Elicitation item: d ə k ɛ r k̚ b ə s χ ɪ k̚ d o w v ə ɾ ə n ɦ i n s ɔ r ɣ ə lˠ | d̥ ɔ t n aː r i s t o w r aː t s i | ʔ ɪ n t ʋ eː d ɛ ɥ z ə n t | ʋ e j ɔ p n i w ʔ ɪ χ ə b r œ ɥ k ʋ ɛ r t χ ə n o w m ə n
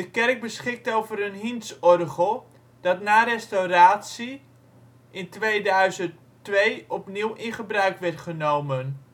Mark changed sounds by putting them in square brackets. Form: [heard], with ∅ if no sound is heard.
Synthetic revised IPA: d ə k ɛ r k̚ b ə s χ ɪ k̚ [t] o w v ə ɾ ə n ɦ i n s ɔ r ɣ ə lˠ | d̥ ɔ t n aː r [ɛ] s t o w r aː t s i | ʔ ɪ n t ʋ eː d [œ] ɥ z ə n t | ʋ e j ɔ p n i w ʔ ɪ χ ə b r œ ɥ k ʋ ɛ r t χ ə n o w m ə n